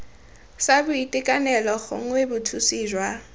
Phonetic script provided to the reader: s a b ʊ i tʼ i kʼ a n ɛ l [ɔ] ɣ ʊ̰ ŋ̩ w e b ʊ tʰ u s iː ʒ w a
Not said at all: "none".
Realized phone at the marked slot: ɔ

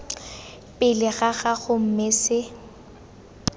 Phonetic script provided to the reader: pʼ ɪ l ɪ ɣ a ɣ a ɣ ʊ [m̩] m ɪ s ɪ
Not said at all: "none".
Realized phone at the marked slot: m̩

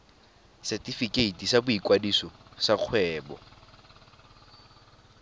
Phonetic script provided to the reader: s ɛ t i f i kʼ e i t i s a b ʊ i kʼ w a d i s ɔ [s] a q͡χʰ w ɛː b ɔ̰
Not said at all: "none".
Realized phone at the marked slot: s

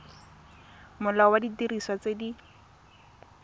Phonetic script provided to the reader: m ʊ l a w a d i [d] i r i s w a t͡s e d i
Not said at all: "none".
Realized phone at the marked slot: t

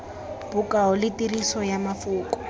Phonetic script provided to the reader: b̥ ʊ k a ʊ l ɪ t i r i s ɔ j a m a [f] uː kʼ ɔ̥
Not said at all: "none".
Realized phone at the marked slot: f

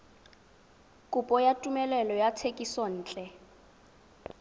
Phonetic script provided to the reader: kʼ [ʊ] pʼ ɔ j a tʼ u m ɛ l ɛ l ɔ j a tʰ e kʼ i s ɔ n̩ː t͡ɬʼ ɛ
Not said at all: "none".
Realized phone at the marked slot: u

